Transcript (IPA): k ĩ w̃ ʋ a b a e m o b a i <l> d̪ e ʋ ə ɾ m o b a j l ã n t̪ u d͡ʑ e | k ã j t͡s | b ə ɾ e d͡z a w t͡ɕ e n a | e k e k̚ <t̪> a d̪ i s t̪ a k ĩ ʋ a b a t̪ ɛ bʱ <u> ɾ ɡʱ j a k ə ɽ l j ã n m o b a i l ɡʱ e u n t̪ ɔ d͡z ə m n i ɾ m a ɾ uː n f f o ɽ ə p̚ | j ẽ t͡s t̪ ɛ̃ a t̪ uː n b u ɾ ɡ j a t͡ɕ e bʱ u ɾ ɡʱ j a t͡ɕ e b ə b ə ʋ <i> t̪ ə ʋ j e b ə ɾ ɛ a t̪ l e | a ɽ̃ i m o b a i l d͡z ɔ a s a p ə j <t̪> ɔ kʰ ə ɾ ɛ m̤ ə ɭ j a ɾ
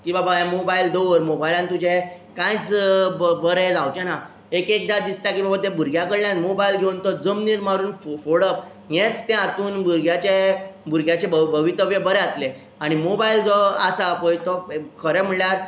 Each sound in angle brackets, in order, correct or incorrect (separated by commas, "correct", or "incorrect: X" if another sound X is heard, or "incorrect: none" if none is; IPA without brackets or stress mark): correct, incorrect: d̪, correct, correct, correct